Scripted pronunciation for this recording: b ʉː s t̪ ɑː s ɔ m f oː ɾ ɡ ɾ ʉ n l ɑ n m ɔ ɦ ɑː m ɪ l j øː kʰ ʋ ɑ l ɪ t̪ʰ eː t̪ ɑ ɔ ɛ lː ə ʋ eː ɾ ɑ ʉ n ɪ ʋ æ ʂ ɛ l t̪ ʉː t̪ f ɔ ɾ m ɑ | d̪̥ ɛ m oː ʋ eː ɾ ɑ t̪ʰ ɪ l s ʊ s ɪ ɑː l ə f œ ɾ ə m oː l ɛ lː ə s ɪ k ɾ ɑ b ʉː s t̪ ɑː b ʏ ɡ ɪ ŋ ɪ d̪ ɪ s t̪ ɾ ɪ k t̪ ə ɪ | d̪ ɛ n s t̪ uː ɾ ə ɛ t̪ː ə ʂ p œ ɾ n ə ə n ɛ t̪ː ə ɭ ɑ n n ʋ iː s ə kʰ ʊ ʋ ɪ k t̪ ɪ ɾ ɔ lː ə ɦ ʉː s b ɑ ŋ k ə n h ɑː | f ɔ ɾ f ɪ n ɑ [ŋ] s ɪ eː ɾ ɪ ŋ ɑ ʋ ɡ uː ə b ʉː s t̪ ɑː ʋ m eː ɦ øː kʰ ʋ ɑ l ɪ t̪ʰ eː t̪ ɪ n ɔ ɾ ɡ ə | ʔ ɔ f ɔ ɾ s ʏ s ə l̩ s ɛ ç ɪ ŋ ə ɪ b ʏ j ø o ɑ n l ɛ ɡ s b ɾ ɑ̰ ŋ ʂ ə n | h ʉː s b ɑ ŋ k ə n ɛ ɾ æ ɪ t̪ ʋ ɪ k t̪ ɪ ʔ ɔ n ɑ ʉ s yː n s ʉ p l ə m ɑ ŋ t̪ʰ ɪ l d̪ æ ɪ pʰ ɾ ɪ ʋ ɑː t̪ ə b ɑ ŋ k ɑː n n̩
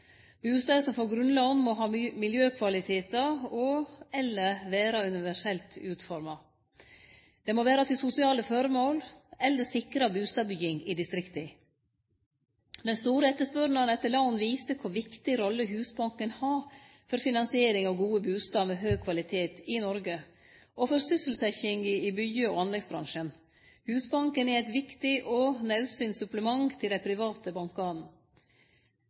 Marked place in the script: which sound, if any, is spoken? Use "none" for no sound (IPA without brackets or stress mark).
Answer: n